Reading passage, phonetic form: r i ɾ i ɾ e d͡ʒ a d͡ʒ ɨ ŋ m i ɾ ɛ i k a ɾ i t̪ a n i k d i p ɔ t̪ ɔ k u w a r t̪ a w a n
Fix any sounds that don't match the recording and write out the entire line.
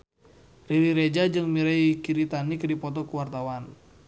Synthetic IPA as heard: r i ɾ i ɾ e d͡ʒ a d͡ʒ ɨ ŋ m i ɾ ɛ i k i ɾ i t̪ a n i k d i p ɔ t̪ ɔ k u w a r t̪ a w a n